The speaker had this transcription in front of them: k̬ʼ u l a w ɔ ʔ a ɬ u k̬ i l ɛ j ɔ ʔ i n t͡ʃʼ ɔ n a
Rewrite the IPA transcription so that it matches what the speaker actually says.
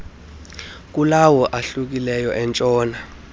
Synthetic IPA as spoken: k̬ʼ u l a w ɔ ʔ a ɬ u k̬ i l ɛ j ɔ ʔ ɛ n t͡ʃʼ ɔː n a